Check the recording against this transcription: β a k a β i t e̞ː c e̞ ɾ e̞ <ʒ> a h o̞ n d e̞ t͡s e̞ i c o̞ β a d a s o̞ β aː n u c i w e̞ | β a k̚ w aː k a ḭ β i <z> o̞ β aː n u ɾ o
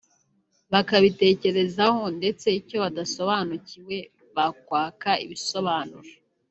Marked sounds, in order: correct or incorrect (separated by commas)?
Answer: incorrect, incorrect